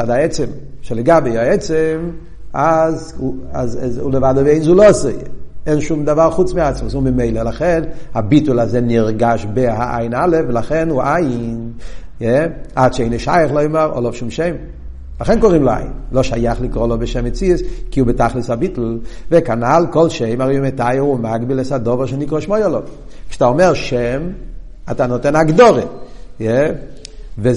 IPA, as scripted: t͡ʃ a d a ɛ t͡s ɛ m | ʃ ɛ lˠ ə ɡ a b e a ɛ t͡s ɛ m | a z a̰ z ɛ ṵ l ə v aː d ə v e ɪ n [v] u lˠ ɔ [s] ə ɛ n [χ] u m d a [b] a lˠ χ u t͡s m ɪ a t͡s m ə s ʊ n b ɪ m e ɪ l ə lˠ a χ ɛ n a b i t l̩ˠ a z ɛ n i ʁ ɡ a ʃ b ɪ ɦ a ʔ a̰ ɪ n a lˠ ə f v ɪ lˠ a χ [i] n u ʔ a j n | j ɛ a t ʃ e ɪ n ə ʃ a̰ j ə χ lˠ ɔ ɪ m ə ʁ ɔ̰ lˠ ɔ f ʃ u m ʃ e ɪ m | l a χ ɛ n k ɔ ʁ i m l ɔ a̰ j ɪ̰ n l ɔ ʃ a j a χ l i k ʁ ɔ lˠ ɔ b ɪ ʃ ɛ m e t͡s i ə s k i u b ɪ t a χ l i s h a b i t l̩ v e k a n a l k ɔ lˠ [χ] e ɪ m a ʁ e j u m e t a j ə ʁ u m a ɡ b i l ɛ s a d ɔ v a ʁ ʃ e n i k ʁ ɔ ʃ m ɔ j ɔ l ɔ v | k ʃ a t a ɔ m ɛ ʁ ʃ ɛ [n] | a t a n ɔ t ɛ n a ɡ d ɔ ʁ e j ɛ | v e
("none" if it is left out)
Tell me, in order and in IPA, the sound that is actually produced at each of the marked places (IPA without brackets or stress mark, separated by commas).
z, s, ʃ, v, ɛ, ʃ, m